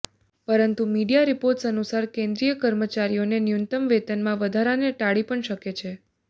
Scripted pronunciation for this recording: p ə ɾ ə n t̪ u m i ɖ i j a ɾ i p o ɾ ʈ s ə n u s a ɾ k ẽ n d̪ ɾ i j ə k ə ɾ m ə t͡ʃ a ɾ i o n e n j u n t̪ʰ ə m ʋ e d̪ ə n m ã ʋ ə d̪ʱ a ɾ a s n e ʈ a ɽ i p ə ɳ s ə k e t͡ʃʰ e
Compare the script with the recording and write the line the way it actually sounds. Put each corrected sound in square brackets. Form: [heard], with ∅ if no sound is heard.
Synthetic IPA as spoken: p ə ɾ ə n t̪ u m i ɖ i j a ɾ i p o ɾ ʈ s ə n u s a ɾ k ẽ n d̪ ɾ i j ə k ə ɾ m ə t͡ʃ a ɾ i o n e n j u n [t̪] ə m ʋ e [t̪] ə n m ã ʋ ə d̪ʱ a ɾ a [∅] n e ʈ a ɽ i p ə ɳ [ʃ] ə k e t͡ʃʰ e